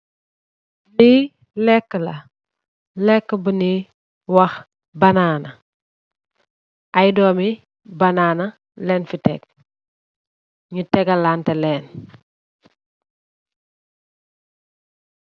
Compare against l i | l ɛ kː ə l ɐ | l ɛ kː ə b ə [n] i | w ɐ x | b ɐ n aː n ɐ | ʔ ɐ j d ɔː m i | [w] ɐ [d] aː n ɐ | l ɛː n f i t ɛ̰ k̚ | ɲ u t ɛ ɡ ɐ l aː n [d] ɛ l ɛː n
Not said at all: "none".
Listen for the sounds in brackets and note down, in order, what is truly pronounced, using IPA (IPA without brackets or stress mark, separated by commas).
n, b, n, t